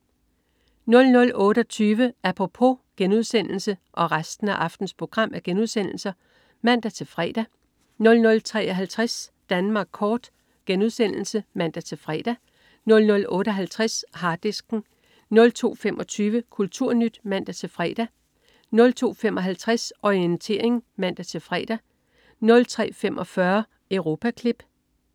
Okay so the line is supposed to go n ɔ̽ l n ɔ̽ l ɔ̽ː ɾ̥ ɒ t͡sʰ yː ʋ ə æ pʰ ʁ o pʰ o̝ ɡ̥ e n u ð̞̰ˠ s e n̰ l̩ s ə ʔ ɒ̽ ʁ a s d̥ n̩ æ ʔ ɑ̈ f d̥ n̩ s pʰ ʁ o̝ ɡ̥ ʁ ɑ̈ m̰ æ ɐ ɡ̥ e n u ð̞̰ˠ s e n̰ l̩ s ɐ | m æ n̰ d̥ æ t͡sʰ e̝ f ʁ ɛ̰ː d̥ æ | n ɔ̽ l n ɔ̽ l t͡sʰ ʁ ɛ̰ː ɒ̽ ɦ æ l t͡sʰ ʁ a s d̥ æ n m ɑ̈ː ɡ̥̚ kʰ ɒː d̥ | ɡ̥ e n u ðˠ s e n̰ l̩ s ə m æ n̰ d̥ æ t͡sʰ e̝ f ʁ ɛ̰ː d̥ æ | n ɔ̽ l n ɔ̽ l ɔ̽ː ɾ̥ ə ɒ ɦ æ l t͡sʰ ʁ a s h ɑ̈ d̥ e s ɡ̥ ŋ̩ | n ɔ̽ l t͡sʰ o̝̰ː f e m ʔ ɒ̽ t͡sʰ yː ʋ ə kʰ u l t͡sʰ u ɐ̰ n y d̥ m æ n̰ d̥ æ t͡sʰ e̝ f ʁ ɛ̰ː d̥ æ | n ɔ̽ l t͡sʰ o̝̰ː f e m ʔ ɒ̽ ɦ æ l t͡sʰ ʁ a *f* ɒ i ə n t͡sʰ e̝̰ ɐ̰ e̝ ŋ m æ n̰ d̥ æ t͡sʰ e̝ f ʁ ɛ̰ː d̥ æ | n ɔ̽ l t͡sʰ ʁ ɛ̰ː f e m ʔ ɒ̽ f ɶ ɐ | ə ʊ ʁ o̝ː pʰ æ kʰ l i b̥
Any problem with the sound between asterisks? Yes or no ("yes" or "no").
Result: yes